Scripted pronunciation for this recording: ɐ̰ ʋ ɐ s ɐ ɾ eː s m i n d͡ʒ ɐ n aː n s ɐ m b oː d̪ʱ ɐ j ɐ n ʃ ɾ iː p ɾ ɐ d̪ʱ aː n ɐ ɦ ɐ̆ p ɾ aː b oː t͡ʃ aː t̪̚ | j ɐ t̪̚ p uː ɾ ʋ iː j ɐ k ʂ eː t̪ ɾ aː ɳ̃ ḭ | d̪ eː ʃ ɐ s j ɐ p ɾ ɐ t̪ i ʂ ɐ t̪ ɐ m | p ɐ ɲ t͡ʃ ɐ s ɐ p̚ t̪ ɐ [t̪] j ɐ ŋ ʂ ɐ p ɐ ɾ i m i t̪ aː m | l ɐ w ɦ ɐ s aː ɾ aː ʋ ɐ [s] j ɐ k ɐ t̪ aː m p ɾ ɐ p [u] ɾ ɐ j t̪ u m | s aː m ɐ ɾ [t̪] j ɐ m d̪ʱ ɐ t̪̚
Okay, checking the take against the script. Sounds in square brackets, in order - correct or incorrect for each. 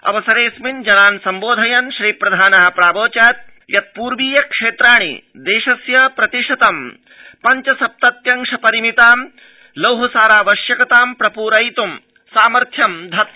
correct, incorrect: ʃ, incorrect: uː, incorrect: t̪ʰ

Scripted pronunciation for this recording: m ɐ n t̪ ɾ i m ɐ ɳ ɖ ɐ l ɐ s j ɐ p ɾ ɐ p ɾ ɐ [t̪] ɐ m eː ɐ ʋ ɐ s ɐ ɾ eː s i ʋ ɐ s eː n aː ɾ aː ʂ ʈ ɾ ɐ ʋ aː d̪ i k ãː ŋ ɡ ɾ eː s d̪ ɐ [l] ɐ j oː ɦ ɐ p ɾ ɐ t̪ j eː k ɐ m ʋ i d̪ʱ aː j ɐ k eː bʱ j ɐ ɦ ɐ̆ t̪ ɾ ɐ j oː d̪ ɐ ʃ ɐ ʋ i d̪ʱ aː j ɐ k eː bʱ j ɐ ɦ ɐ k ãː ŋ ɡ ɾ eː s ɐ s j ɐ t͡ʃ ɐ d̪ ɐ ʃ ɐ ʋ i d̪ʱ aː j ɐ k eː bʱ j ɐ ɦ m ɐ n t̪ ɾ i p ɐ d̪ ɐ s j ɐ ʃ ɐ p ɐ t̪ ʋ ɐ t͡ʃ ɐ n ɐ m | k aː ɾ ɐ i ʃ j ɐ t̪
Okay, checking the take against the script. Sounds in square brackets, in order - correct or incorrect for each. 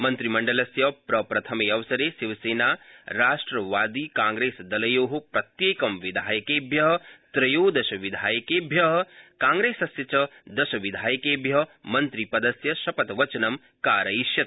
incorrect: t̪ʰ, correct

